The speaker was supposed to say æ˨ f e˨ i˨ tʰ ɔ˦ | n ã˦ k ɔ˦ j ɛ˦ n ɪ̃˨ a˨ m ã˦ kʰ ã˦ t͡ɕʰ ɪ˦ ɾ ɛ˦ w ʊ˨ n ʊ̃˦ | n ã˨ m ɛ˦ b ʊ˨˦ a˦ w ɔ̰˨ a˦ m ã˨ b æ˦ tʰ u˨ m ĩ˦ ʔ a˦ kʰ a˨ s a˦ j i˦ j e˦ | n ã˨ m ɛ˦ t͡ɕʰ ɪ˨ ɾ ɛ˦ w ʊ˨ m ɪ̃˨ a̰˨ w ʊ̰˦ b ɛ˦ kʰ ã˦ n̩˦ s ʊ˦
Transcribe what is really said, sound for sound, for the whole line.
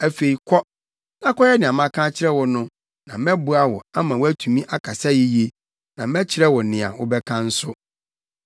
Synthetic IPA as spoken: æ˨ f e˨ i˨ kʰ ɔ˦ | n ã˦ k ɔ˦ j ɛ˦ n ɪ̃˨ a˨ m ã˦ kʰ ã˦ t͡ɕʰ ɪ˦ ɾ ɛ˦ w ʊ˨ n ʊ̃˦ | n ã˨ m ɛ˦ b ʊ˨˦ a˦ w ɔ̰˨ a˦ m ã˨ w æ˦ tʰ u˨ m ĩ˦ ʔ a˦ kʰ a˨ s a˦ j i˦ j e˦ | n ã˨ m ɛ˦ t͡ɕʰ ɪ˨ ɾ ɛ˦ w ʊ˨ n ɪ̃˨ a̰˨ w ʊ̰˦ b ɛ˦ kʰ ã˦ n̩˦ s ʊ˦